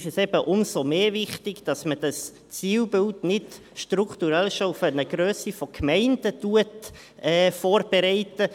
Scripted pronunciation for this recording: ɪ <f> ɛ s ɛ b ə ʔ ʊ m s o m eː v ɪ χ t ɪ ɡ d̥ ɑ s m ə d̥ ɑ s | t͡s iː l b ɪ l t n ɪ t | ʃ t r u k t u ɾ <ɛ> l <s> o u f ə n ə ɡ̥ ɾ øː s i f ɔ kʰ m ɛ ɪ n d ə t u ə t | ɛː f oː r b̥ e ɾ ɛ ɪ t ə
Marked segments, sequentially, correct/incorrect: incorrect, correct, incorrect

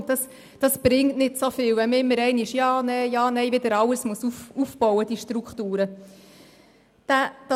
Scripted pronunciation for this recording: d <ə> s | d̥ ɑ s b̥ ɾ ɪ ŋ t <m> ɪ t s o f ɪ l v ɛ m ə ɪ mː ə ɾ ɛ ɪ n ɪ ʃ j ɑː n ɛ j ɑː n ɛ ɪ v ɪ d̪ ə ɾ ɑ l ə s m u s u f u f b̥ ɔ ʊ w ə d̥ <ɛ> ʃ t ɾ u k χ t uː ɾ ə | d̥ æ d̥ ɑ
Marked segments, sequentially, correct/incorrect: incorrect, incorrect, incorrect

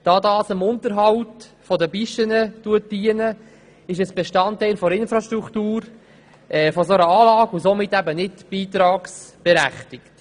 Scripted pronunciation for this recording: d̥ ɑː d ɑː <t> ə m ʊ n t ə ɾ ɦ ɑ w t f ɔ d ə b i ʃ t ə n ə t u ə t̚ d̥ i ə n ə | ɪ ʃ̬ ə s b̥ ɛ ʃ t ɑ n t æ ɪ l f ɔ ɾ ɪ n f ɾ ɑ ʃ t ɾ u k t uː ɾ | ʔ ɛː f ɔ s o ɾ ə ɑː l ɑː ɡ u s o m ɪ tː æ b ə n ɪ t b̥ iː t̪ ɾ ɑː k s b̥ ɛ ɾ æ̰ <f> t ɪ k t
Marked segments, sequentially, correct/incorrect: incorrect, incorrect

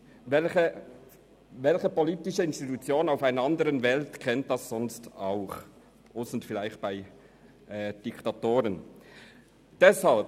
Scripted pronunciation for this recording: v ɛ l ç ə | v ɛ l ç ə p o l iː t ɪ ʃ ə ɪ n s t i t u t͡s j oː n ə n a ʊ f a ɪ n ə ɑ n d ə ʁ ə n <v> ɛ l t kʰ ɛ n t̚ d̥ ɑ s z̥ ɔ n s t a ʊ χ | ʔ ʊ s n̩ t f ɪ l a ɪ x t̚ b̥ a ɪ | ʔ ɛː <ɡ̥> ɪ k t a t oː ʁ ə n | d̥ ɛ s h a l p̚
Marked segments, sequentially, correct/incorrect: correct, incorrect

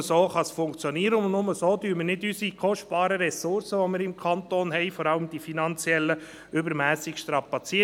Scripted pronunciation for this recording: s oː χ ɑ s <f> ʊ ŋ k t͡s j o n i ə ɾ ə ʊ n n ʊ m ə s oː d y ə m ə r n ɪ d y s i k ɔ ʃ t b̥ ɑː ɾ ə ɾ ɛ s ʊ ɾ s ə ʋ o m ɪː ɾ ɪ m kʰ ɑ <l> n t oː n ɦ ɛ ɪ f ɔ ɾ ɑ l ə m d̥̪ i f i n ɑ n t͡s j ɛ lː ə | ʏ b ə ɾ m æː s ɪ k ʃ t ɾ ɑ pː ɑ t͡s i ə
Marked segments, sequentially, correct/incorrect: correct, incorrect

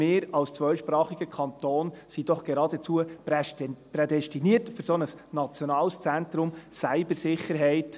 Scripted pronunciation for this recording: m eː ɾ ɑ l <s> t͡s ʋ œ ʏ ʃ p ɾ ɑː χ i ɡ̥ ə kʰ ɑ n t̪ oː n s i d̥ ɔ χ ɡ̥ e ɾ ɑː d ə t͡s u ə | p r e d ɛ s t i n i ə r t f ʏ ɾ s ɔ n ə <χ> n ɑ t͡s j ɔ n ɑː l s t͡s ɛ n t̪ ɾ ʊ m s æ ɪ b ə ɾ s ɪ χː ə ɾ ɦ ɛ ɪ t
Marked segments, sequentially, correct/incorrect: correct, incorrect

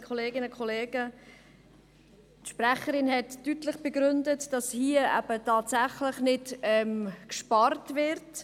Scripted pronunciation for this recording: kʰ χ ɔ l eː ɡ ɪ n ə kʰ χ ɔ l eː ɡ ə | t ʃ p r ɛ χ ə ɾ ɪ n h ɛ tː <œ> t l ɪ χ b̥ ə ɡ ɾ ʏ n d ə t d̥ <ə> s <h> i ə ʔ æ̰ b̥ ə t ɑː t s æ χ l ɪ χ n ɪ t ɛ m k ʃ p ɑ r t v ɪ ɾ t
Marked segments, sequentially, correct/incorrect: incorrect, incorrect, correct

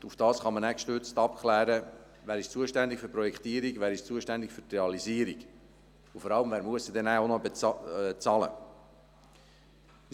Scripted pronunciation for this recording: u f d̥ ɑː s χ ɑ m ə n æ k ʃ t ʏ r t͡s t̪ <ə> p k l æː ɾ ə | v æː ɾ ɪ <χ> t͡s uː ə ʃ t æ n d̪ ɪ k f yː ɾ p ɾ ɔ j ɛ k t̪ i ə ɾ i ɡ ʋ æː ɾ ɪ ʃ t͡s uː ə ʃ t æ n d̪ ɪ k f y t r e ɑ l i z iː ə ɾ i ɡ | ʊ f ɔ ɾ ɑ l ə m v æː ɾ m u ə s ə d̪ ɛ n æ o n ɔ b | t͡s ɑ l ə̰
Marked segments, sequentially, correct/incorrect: incorrect, incorrect

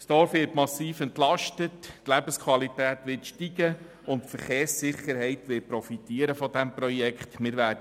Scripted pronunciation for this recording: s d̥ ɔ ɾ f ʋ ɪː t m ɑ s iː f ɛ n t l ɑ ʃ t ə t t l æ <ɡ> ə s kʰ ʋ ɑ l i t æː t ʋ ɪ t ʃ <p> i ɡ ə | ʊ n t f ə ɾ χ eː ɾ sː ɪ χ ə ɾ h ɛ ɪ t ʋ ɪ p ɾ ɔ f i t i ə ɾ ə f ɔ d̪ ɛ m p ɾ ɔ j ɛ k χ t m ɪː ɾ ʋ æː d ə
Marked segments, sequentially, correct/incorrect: incorrect, incorrect

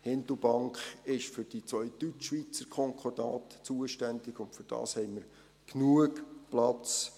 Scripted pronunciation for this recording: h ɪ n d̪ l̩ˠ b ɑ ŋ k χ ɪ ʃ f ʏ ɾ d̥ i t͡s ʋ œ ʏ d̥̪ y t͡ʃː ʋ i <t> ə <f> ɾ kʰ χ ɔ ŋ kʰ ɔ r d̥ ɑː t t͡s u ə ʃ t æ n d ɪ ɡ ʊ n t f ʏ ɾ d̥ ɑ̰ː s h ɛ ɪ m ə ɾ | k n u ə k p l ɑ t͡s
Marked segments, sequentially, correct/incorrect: incorrect, incorrect

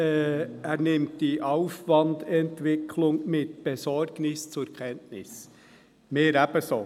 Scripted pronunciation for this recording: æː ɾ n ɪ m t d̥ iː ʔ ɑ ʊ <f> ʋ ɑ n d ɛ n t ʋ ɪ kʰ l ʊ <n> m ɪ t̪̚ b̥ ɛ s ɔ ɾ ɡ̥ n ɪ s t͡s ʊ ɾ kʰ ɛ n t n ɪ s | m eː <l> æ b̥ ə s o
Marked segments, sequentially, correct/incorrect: correct, incorrect, incorrect

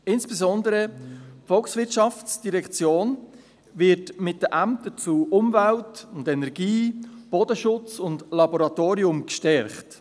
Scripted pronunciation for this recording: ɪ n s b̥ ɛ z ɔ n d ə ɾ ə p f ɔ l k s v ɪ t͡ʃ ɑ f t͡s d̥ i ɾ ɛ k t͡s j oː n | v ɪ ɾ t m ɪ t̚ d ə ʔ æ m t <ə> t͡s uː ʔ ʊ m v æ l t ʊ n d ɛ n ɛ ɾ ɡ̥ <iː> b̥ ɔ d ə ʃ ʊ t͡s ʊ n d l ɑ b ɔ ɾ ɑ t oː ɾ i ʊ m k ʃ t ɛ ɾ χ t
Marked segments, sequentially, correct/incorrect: correct, correct

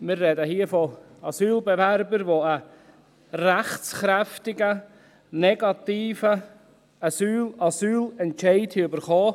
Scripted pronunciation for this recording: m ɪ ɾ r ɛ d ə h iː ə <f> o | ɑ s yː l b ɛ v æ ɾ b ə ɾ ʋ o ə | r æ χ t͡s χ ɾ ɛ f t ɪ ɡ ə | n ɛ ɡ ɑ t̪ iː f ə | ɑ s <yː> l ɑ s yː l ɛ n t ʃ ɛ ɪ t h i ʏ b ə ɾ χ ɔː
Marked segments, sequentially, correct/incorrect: correct, correct

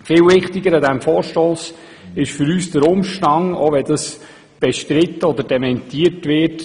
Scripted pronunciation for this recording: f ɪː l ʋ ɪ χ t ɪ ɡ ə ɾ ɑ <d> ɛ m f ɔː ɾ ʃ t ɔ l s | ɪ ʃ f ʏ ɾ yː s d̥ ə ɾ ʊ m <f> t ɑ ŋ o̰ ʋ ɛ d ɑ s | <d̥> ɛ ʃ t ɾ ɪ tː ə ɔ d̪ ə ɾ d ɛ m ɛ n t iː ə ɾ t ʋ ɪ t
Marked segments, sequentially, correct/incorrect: correct, incorrect, incorrect

